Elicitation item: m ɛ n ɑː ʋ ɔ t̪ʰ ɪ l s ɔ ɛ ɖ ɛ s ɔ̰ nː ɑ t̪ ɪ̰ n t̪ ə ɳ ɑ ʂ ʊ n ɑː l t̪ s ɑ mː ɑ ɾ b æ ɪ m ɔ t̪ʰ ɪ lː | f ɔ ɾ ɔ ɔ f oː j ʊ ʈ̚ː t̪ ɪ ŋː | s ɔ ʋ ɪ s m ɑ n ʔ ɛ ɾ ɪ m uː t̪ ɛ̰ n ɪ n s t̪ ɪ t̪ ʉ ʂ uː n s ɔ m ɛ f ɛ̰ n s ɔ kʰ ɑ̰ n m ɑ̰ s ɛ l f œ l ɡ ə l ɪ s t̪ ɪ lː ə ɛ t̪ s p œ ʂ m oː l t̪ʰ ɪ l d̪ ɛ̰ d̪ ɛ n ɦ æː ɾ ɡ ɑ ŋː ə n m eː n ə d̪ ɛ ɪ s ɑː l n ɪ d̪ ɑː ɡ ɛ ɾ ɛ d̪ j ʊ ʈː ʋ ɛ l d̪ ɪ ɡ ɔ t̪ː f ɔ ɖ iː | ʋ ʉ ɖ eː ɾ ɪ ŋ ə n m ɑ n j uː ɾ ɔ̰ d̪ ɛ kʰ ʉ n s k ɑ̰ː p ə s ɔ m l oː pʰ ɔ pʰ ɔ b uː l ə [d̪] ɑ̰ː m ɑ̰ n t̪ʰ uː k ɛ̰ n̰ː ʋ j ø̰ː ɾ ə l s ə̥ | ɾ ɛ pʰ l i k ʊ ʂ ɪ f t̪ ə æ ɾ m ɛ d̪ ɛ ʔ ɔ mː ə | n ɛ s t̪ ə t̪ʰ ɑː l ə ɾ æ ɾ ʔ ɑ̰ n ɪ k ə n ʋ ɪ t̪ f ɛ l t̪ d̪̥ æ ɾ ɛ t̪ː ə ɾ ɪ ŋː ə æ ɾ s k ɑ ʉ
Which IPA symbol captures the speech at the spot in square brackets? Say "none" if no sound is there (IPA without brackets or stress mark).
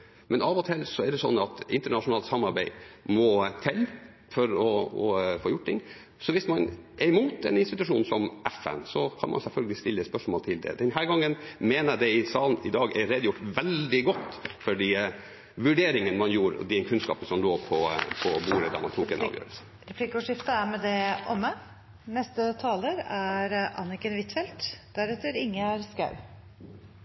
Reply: d̪